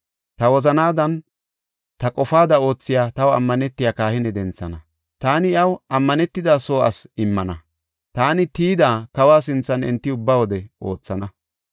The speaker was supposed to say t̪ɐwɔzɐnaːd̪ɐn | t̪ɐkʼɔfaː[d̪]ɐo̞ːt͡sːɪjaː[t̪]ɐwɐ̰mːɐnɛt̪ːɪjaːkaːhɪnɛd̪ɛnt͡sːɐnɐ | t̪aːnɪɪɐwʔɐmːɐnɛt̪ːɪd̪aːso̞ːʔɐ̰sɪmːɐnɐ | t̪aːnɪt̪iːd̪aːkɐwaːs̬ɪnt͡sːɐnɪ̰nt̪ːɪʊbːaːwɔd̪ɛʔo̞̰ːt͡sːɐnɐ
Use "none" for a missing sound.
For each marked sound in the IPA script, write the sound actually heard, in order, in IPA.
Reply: d̪, t̪

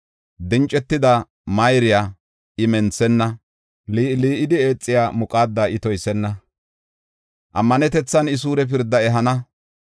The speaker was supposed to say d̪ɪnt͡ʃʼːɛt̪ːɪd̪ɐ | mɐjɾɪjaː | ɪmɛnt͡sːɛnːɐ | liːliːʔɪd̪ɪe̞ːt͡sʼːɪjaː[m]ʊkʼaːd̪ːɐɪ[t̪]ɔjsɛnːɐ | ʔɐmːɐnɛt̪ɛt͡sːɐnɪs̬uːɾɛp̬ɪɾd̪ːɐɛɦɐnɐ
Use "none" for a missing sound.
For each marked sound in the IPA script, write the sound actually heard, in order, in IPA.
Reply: m, t̪

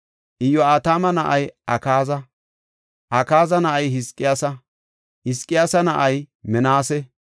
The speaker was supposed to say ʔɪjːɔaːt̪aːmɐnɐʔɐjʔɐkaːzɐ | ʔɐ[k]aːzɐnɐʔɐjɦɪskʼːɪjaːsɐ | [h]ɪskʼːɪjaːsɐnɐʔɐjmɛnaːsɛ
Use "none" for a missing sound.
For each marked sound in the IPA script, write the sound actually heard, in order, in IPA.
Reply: k, h

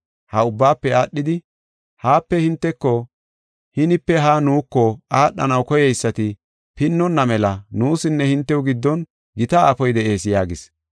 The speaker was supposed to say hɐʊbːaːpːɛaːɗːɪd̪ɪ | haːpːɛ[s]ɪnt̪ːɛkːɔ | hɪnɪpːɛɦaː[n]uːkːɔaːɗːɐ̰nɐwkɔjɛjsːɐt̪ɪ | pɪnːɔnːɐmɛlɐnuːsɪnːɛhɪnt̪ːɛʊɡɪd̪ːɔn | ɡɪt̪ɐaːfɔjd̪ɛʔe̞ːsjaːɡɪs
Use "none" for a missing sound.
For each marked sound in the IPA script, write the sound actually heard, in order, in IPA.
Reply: h, n

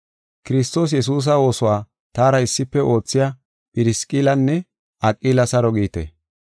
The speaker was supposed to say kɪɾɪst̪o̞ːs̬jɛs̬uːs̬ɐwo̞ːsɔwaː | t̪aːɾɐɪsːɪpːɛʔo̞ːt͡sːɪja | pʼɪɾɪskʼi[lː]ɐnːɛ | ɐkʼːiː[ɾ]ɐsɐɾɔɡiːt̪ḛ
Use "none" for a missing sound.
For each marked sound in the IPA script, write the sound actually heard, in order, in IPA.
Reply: l, l

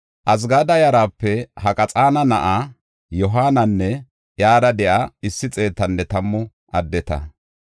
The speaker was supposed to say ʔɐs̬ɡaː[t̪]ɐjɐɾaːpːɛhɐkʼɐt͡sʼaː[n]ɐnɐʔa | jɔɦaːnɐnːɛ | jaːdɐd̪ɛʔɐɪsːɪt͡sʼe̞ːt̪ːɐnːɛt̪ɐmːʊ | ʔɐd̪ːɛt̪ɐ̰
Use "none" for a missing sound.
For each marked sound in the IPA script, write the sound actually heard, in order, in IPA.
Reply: d̪, n

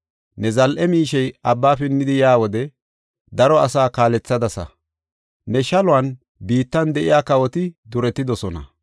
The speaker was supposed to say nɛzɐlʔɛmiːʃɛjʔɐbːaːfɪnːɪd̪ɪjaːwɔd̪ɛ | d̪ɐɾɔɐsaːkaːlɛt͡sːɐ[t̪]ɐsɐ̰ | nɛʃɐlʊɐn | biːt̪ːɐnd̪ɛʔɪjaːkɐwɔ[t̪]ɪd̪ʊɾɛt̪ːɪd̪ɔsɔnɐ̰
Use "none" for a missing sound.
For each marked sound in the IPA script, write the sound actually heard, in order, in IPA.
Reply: d̪, t̪

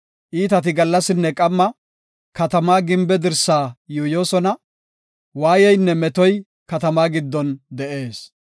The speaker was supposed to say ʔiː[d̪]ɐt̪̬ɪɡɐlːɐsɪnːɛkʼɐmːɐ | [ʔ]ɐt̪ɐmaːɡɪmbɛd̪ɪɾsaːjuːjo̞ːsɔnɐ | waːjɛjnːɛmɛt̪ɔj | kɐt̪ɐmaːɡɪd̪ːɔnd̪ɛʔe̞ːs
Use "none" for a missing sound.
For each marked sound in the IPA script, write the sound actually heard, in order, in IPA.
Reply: t̪, k

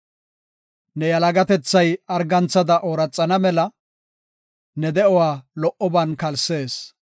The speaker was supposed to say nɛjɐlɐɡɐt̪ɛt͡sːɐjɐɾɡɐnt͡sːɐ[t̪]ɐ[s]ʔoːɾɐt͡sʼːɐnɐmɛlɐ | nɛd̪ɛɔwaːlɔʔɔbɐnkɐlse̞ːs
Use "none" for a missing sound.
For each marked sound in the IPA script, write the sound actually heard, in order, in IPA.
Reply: d̪, none

